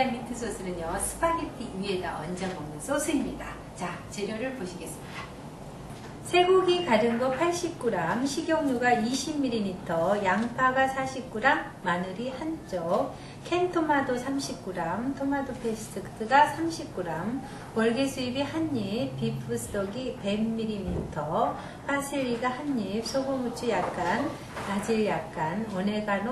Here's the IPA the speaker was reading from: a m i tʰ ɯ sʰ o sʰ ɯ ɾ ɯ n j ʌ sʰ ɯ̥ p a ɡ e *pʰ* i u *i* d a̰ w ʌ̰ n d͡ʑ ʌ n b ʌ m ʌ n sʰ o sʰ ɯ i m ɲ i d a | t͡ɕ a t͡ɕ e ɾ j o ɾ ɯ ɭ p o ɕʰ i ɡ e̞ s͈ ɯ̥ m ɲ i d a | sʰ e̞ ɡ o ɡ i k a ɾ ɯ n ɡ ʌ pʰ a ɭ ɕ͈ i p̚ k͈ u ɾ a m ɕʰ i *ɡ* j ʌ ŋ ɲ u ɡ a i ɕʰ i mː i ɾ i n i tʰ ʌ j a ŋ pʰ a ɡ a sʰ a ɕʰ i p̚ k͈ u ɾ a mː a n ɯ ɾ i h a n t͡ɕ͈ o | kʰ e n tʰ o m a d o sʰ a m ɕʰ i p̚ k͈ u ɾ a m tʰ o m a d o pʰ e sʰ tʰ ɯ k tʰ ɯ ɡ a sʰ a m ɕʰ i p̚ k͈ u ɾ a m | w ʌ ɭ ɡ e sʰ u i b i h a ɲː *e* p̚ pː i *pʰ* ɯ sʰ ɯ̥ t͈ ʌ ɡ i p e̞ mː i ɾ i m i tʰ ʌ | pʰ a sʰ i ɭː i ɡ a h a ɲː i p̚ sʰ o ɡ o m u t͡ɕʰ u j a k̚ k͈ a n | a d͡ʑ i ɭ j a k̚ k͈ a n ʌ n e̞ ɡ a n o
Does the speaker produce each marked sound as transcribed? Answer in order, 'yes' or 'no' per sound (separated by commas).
no, no, yes, no, yes